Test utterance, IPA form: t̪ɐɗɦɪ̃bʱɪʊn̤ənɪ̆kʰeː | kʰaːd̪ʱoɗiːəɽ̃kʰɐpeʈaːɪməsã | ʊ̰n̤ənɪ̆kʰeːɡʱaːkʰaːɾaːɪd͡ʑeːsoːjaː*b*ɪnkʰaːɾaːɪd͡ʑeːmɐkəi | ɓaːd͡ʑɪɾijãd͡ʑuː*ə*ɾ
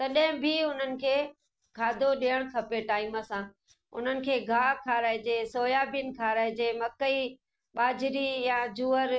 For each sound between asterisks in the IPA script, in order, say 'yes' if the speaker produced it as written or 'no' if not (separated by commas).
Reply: yes, yes